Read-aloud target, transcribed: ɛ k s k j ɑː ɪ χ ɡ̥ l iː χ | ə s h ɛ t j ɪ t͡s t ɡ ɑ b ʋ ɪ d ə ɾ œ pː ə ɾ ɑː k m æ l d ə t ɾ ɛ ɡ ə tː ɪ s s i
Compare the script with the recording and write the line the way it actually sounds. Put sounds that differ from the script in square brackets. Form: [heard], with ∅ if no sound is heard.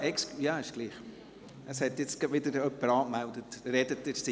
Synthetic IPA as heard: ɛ k s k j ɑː ɪ [ʃ] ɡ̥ l iː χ | ə s h ɛ t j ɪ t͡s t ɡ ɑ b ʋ ɪ d ə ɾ œ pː ə ɾ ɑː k m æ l d ə t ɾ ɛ [d] ə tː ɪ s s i